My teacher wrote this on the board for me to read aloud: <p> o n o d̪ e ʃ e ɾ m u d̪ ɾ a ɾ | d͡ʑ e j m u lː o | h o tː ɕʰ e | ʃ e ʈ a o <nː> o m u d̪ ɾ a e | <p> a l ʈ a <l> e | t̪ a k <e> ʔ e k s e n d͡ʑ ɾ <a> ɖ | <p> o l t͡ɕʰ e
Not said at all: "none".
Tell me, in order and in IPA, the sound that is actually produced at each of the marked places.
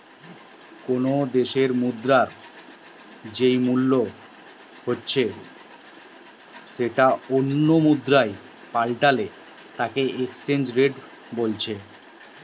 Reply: k, nː, p, l, e, e, b

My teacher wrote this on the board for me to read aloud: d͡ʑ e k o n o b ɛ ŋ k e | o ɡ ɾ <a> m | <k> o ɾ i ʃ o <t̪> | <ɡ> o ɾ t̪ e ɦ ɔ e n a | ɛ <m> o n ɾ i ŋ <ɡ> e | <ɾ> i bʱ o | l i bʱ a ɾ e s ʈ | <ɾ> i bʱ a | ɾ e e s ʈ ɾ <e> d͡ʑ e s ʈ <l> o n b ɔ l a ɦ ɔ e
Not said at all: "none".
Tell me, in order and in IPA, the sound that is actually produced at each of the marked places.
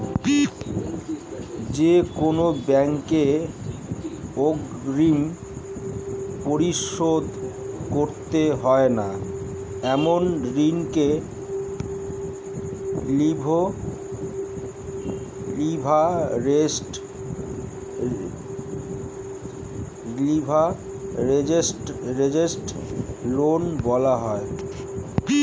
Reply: i, p, d̪, k, m, k, l, l, e, l

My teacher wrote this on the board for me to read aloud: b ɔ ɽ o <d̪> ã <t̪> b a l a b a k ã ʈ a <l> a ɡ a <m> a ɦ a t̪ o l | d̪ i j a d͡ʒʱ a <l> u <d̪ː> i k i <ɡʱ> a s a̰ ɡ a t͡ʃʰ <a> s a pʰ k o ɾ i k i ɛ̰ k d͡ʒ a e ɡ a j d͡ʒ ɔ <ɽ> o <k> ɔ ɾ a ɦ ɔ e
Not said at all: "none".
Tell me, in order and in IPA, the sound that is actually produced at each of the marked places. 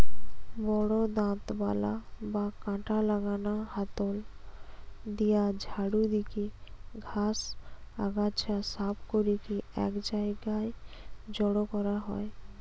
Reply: d̪, t̪, l, n, ɽ, d̪, ɡʱ, a, ɽ, k

